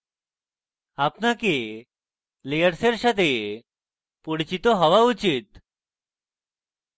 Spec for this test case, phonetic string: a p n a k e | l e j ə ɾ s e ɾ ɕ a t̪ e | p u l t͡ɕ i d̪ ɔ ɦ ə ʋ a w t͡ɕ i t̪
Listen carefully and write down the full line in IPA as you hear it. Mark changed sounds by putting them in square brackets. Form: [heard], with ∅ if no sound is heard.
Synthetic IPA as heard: a p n a k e | l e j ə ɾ s e ɾ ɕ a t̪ e | p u [ɽ] t͡ɕ i [t̪] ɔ ɦ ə ʋ a [u] t͡ɕ i t̪